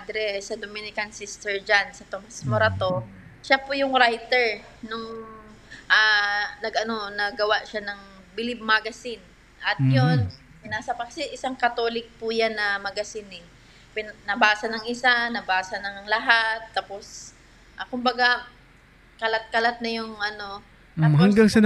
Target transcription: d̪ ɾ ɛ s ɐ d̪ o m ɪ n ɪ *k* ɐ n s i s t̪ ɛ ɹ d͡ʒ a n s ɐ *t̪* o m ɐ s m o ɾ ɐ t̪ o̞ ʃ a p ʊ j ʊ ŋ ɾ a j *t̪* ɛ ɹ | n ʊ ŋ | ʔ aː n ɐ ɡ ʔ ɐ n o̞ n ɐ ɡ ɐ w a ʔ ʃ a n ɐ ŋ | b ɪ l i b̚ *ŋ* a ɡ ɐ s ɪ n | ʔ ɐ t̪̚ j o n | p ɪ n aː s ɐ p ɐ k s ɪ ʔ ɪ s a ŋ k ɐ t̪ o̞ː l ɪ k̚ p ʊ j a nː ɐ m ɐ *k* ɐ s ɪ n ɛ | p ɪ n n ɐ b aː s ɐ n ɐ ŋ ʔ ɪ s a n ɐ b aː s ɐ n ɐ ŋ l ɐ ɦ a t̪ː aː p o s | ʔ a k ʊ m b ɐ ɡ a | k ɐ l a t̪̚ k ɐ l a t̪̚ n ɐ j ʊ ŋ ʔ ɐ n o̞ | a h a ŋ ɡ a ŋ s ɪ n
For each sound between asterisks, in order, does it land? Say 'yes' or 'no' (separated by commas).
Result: yes, yes, yes, no, no